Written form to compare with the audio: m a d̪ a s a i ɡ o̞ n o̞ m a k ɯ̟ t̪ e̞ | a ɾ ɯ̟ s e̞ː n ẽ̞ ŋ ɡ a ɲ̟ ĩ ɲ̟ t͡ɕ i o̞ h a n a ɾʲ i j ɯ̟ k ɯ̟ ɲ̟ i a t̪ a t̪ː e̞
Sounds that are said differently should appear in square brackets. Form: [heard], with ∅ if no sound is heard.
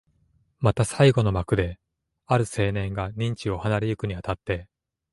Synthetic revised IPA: m a [t̪] a s a i ɡ o̞ n o̞ m a k ɯ̟ [d̪] e̞ | a ɾ ɯ̟ s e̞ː n ẽ̞ ŋ ɡ a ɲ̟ ĩ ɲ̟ t͡ɕ i o̞ h a n a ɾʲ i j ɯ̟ k ɯ̟ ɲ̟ i a t̪ a t̪ː e̞